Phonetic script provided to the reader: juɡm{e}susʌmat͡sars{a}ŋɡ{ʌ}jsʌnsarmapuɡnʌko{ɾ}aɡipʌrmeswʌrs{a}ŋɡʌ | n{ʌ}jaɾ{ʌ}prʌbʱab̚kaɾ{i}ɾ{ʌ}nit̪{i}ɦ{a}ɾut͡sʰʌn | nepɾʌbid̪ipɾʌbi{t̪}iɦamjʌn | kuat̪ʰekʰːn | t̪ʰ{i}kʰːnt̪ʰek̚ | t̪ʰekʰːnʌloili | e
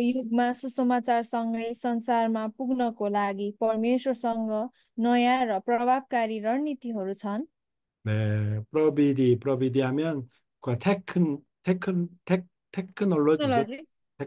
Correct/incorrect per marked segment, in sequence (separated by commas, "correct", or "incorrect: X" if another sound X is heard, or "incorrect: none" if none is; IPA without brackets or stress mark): incorrect: a, incorrect: ʌ, correct, incorrect: l, incorrect: ʌ, correct, correct, correct, correct, correct, incorrect: ʌ, incorrect: d̪, incorrect: e